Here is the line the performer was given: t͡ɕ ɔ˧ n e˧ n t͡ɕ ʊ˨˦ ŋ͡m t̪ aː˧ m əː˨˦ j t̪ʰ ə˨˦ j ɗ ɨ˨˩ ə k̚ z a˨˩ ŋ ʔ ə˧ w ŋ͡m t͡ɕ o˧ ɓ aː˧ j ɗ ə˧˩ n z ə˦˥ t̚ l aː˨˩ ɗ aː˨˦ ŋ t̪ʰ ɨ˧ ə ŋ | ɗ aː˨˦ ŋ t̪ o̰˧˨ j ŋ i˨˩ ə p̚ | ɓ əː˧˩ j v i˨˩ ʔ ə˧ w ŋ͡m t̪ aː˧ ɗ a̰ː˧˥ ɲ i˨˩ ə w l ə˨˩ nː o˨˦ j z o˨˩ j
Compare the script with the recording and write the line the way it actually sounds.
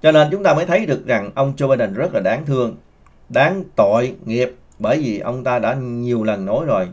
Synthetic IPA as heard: t͡ɕ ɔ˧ n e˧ n t͡ɕ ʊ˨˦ ŋ͡m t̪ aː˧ m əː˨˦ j t̪ʰ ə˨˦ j ɗ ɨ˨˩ ə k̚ z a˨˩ ŋ ʔ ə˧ w ŋ͡m t͡ɕ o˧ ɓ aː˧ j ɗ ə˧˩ n z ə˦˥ t̚ l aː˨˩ ɗ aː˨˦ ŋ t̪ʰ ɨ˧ ə ŋ | ɗ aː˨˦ ŋ t̪ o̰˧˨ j ŋ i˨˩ ə p̚ | ɓ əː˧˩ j v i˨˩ ʔ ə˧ w ŋ͡m t̪ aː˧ ɗ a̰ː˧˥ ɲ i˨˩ ə w l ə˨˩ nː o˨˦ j z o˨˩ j